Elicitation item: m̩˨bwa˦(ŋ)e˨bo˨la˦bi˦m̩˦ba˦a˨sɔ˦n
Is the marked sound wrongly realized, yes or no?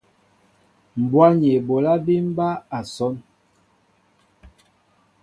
yes